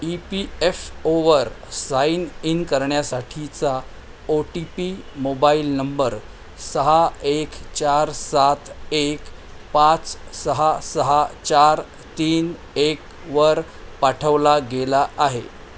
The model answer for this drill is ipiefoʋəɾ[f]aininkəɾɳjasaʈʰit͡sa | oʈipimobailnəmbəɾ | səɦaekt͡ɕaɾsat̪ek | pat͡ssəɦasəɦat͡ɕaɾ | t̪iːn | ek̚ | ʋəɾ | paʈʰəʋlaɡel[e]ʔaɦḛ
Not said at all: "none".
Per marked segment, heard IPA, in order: s, a

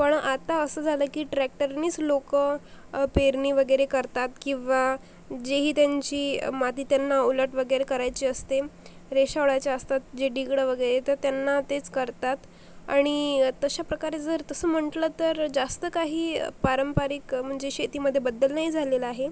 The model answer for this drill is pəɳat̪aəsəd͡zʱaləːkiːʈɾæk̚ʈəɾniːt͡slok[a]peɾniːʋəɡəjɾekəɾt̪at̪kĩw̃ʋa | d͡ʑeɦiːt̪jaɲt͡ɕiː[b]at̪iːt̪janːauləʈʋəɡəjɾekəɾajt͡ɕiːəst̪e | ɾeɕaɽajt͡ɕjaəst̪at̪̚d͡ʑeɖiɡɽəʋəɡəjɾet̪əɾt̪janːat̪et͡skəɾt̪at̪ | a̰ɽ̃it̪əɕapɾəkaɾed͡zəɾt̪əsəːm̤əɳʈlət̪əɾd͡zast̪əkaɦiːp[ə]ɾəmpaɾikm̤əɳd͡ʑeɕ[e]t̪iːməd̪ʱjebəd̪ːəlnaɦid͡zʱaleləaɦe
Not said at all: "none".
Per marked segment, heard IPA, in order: ə, m, a, e

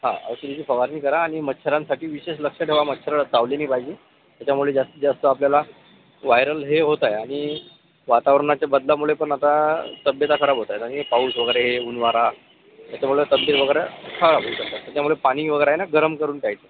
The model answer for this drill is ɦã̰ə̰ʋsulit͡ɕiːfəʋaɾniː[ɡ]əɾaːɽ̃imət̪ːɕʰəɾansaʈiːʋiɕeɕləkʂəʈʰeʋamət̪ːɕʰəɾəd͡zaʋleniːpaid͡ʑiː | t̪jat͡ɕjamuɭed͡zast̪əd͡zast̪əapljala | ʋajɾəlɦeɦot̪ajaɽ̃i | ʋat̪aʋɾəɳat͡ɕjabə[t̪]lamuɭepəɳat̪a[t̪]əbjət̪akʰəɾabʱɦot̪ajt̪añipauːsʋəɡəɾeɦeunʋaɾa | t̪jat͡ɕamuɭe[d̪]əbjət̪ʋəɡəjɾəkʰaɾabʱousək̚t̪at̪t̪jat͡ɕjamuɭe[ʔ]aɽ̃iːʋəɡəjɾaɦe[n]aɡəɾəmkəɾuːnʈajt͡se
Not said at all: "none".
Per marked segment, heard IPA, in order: k, d̪, t̪, t̪, p, n

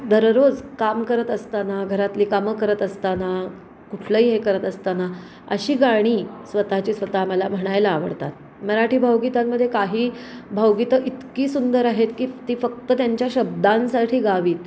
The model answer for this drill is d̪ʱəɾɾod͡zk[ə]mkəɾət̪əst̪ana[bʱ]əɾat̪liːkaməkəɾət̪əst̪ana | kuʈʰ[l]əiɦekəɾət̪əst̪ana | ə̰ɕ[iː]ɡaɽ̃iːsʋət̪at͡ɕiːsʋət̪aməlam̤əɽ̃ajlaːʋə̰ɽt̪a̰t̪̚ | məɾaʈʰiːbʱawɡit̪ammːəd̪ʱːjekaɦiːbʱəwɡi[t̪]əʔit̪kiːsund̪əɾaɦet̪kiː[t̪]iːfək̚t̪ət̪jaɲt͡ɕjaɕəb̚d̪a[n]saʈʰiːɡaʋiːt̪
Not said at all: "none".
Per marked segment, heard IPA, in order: a, ɡʱ, l, iː, t̪, t̪, n

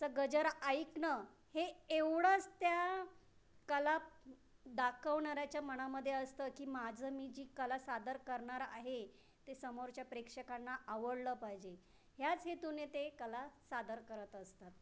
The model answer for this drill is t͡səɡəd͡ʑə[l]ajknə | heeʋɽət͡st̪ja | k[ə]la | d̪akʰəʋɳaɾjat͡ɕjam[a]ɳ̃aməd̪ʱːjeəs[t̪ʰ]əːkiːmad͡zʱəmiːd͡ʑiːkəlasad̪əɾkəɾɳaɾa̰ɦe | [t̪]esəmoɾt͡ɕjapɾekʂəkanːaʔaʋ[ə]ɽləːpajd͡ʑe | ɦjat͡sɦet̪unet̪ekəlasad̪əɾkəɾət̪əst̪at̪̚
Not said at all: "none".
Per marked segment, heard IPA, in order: ɾ, ə, ə, t̪, t̪, ə

